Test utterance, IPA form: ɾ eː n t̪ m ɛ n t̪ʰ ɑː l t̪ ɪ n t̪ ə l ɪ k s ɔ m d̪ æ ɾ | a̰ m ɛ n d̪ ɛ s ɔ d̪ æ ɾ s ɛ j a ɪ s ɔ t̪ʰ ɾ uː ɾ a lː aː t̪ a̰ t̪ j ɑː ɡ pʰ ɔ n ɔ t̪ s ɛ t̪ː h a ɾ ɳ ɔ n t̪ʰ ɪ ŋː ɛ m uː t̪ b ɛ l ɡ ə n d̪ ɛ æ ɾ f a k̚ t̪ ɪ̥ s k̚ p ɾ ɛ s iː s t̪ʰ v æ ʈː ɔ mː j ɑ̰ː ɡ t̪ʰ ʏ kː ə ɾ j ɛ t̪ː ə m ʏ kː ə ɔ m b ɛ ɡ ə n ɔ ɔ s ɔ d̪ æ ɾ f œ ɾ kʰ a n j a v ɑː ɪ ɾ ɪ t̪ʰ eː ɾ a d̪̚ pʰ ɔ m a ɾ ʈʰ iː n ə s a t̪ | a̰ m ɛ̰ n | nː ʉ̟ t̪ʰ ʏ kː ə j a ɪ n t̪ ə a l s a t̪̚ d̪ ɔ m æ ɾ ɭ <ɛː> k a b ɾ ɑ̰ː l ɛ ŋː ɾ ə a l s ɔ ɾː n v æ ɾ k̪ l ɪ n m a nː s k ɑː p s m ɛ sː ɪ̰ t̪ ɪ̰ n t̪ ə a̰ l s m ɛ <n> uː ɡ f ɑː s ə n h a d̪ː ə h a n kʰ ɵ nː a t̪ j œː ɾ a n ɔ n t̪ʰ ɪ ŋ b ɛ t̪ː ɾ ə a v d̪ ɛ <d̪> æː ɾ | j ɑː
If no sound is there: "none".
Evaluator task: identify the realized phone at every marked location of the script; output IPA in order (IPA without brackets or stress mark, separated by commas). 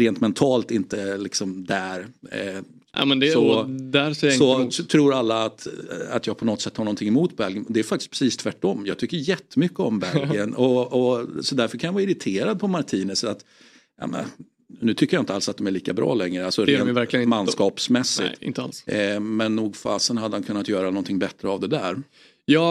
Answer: iː, nː, d̪